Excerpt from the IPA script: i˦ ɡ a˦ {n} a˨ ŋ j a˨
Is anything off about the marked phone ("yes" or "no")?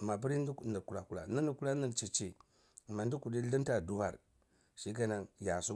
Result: no